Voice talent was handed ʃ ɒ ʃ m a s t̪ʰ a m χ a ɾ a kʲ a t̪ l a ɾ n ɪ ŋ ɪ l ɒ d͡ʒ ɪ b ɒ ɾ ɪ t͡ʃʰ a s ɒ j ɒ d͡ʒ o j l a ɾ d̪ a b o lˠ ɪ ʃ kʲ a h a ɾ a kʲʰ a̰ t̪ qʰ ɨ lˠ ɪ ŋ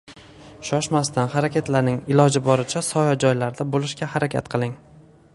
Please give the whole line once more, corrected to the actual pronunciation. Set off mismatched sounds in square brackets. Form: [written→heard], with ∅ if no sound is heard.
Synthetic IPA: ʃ ɒ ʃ m a s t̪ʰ a [m→n] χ a ɾ a kʲ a t̪ l a ɾ n ɪ ŋ ɪ l ɒ d͡ʒ ɪ b ɒ ɾ ɪ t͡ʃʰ a s ɒ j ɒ d͡ʒ [o→ɒ] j l a ɾ d̪ a b o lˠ ɪ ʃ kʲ a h a ɾ a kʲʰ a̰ t̪ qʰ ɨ lˠ ɪ ŋ